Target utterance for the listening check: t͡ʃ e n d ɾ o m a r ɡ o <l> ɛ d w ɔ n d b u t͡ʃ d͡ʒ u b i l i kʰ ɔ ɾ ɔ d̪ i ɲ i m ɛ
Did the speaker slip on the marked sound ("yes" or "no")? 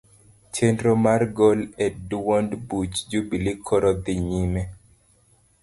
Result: no